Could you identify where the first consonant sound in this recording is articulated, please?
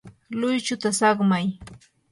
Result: alveolar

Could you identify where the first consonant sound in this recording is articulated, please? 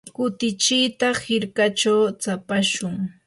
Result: velar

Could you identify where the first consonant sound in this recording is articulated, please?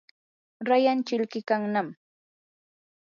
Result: alveolar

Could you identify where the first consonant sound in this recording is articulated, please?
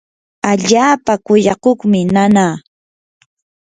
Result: palatal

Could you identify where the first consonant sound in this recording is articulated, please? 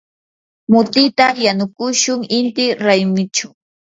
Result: labial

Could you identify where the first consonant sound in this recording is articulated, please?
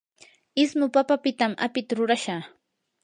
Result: alveolar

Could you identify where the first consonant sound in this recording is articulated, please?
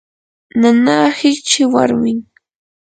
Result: alveolar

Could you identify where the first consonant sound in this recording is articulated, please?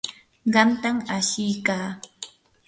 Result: uvular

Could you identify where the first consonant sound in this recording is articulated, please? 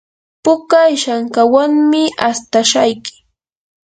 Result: labial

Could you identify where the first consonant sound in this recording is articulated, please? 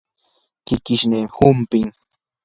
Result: velar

